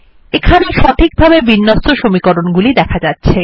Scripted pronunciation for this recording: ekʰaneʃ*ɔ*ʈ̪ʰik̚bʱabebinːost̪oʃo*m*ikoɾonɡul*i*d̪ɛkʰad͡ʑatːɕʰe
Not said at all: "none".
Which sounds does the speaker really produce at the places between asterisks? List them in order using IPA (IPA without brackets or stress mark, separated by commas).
ɔ, m, i